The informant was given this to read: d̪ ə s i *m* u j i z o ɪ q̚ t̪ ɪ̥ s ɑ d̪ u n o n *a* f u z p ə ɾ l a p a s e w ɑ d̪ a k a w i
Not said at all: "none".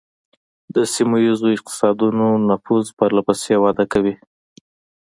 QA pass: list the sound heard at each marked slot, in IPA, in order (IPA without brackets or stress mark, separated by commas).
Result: m, a